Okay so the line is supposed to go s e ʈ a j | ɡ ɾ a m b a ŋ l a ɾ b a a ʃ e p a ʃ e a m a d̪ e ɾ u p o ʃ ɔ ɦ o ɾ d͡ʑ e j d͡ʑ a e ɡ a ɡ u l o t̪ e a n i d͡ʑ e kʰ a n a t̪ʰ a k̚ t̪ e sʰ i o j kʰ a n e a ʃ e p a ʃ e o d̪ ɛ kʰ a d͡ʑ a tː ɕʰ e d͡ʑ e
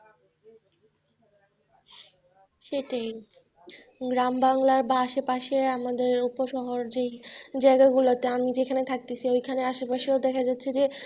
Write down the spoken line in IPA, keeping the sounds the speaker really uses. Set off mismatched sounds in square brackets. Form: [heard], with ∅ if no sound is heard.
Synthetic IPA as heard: [ʃ] e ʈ a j | ɡ ɾ a m b a ŋ l a ɾ b a a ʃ e p a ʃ e a m a d̪ e ɾ u p o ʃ ɔ ɦ o ɾ d͡ʑ e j d͡ʑ a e ɡ a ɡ u l o t̪ e a [m] i d͡ʑ e kʰ a n [e] t̪ʰ a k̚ t̪ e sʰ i o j kʰ a n e a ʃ e p a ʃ e o d̪ ɛ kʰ a d͡ʑ a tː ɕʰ e d͡ʑ e